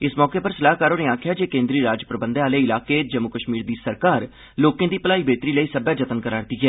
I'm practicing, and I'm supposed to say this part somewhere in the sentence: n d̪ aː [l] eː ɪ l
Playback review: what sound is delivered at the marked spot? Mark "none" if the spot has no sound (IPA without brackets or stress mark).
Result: l